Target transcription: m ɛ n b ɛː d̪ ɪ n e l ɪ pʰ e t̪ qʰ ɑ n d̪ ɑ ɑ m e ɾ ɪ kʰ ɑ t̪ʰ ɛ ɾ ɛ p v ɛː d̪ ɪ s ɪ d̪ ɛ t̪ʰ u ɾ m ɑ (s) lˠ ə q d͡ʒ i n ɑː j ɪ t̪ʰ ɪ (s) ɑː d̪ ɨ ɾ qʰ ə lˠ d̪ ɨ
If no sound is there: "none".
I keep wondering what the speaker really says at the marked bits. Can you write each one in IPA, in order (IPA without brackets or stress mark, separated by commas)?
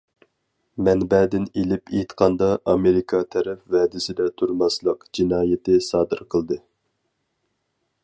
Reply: s, s